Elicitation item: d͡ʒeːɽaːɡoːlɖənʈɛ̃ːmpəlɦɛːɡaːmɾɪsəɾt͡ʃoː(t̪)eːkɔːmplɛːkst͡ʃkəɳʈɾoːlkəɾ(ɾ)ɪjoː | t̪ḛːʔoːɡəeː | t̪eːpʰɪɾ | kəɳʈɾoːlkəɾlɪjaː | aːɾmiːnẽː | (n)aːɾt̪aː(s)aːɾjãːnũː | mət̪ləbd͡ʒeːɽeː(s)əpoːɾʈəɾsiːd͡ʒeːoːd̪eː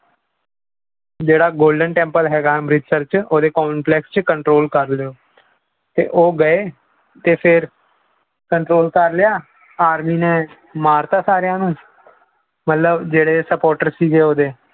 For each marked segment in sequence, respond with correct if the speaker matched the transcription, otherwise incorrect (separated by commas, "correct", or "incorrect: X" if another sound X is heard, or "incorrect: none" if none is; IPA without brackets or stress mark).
incorrect: d̪, incorrect: l, incorrect: m, correct, correct